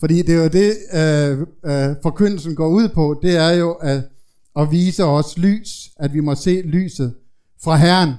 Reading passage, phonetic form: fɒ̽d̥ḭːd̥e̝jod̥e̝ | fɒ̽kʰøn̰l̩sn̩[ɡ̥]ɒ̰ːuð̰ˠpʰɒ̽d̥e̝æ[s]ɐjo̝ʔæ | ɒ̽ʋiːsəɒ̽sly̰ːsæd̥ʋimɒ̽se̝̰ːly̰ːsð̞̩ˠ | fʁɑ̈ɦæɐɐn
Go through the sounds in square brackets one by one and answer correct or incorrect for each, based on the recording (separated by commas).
correct, incorrect